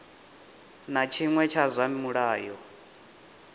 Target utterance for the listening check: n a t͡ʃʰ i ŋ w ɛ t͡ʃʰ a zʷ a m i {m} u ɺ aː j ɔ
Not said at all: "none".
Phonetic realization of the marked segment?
m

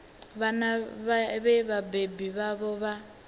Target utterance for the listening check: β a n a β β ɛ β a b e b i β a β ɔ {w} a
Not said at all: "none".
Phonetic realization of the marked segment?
β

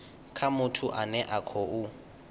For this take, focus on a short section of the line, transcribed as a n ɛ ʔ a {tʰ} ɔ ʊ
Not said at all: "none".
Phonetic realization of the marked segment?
kʰ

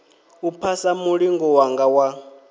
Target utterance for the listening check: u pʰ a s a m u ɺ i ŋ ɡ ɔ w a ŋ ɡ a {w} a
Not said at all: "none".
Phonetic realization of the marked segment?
w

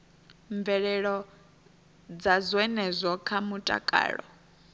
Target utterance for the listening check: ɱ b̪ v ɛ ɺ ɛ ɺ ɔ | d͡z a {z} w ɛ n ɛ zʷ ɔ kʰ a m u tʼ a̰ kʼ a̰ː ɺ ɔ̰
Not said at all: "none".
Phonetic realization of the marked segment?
z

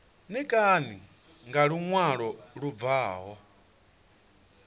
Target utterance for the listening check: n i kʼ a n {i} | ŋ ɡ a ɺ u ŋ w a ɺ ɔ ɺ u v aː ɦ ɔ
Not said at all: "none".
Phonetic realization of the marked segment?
i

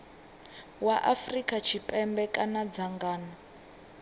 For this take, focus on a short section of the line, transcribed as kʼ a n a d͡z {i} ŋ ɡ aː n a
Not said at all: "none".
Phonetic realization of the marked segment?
a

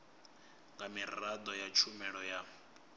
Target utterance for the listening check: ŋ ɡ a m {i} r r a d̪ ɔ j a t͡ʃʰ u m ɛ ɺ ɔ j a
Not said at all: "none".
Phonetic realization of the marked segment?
i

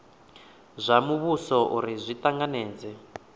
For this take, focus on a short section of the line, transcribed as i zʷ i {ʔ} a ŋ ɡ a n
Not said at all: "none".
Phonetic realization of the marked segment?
t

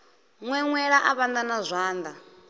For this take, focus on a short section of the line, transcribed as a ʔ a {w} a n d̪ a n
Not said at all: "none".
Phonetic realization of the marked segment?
β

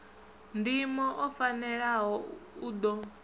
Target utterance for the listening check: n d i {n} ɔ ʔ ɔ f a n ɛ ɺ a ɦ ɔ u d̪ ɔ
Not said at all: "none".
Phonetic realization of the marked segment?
m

